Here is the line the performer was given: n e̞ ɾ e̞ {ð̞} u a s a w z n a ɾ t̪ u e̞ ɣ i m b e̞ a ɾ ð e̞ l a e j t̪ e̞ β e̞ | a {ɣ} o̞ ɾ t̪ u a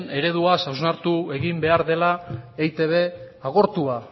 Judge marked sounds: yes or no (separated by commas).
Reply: yes, yes